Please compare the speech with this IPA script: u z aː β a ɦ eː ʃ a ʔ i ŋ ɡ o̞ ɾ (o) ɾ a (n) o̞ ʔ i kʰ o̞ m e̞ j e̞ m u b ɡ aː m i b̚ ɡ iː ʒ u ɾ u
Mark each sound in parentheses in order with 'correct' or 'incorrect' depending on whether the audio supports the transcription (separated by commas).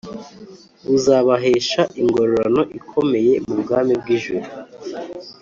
correct, correct